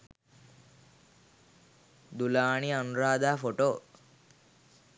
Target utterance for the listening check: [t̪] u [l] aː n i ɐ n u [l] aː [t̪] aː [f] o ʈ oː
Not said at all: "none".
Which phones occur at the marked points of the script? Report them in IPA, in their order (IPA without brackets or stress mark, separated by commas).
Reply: d̪, l, ɾ, d̪, f